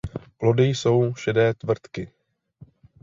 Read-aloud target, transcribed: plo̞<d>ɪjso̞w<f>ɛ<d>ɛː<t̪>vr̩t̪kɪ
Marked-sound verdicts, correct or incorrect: correct, incorrect: ʃ, correct, correct

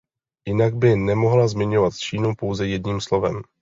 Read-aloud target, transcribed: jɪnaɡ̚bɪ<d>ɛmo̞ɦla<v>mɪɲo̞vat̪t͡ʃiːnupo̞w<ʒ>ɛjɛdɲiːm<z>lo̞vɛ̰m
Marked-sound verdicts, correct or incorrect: incorrect: n, incorrect: z, incorrect: z, incorrect: s

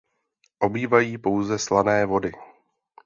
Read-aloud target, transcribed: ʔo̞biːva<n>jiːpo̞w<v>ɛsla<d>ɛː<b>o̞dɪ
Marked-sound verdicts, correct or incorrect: incorrect: none, incorrect: z, incorrect: n, incorrect: v

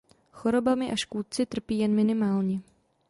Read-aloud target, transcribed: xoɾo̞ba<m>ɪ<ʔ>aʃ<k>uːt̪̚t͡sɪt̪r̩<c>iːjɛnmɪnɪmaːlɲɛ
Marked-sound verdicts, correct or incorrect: correct, correct, correct, incorrect: p

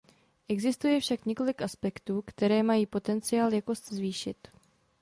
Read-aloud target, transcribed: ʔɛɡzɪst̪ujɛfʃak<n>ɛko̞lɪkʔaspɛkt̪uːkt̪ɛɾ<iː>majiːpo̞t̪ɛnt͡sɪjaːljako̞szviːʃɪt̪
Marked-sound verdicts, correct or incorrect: incorrect: ɲ, incorrect: ɛː

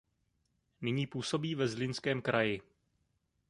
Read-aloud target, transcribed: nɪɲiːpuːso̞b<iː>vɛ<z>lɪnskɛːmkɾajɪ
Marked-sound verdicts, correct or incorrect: correct, correct

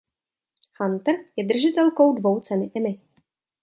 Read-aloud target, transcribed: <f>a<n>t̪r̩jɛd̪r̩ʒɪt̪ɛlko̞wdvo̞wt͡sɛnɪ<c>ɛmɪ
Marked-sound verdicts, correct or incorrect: incorrect: h, correct, incorrect: ʔ

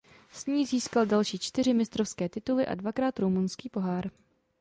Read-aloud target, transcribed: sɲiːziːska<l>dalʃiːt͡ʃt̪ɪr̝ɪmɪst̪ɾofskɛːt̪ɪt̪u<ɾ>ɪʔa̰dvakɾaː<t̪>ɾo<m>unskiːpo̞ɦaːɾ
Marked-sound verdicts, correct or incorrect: correct, incorrect: l, correct, correct

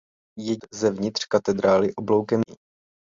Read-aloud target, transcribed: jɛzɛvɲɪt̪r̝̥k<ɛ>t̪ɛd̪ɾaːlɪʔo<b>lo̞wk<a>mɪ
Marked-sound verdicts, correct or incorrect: incorrect: a, correct, incorrect: ɛ

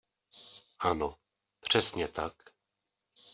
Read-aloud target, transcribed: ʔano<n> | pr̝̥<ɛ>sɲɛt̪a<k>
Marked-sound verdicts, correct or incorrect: incorrect: none, correct, correct

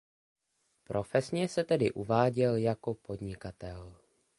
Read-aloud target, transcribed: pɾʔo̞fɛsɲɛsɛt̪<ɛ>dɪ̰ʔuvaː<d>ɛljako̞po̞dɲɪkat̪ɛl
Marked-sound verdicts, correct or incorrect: correct, incorrect: ɟ

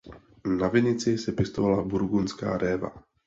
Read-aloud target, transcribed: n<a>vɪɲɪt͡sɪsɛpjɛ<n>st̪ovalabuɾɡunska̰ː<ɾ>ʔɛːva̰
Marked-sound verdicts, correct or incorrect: correct, incorrect: none, correct

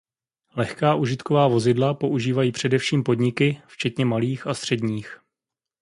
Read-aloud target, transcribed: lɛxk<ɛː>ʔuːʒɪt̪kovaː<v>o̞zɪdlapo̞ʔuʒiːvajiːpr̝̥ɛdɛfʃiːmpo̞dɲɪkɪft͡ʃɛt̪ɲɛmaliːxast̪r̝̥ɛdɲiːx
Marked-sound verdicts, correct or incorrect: incorrect: aː, correct

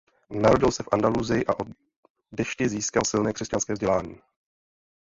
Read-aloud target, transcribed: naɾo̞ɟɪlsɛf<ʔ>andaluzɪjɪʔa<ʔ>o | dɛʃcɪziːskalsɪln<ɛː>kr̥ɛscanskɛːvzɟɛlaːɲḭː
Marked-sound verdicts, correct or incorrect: correct, correct, correct

